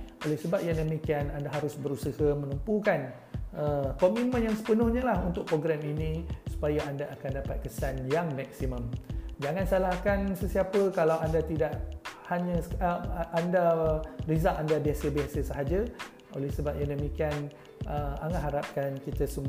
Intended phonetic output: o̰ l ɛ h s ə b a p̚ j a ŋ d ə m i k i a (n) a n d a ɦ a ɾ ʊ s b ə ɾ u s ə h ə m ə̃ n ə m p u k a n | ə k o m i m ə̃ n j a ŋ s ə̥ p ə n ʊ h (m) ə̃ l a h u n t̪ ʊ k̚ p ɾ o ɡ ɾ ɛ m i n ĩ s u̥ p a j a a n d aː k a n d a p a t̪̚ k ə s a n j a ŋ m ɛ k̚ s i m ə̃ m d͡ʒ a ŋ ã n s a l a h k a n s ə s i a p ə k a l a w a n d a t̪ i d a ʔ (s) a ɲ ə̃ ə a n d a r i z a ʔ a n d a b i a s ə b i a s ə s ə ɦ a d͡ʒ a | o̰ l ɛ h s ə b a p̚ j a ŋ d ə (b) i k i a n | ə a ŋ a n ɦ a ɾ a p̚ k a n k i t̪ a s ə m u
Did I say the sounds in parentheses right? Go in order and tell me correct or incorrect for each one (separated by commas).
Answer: correct, incorrect, incorrect, incorrect